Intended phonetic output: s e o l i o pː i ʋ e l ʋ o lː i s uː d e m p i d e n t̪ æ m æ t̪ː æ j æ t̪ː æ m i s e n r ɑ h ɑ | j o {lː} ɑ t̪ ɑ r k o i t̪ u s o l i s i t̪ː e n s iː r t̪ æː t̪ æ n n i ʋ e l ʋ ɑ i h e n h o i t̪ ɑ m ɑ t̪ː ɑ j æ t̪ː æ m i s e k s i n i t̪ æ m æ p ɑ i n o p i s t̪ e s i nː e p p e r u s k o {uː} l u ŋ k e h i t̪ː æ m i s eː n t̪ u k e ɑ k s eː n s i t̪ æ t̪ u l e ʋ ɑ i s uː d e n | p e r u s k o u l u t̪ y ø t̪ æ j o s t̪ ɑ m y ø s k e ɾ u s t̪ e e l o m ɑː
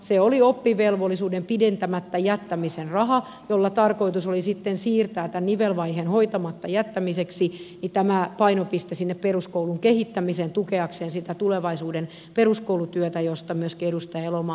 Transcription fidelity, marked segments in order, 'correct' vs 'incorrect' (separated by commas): correct, incorrect